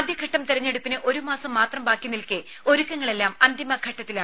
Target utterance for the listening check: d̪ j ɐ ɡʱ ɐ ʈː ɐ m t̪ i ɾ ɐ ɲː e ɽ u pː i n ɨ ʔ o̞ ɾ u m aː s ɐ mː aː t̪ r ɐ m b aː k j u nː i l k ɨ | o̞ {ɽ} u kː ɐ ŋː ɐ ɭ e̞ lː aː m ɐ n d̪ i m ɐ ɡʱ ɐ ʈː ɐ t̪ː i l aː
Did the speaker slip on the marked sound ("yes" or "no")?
yes